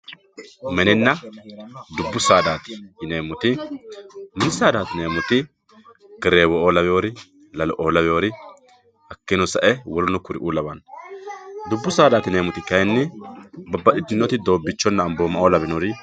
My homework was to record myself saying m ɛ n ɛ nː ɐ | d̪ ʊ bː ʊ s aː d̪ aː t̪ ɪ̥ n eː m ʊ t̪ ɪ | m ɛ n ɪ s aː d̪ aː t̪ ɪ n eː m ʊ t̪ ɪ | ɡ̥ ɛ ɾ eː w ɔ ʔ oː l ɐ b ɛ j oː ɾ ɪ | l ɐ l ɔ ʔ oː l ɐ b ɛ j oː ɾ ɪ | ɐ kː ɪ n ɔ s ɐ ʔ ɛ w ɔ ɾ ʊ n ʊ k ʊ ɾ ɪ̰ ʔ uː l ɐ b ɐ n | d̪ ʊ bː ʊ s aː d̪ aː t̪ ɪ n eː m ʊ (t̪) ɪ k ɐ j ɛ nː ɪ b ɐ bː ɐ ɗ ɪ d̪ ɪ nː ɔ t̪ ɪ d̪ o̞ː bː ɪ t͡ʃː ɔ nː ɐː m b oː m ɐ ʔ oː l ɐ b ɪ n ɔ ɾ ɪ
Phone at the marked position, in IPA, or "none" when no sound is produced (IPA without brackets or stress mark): t̪